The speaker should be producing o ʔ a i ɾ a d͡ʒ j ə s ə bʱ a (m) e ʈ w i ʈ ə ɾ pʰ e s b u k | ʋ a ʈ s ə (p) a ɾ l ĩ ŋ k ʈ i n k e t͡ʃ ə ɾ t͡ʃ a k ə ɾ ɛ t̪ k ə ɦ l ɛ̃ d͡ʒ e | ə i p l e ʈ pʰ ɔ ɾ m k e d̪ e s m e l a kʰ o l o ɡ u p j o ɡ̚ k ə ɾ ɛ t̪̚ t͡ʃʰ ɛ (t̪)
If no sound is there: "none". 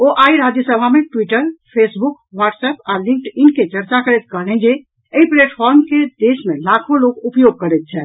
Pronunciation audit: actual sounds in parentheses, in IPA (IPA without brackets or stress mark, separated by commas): m, p, none